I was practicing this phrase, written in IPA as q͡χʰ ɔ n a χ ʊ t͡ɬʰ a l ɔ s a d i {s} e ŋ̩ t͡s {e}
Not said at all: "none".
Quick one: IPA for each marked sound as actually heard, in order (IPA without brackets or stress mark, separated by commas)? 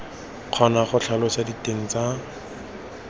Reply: t, a